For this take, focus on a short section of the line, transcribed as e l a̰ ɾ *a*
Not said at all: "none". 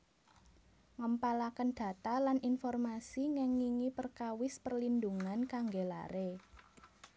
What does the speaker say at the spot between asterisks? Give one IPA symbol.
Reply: e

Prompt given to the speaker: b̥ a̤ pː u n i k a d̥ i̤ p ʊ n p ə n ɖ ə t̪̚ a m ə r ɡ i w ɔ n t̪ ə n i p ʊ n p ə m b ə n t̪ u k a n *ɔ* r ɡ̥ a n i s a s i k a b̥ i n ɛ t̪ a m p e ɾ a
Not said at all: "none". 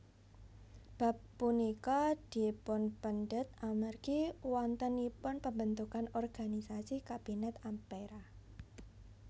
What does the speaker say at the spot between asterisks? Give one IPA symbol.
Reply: ɔ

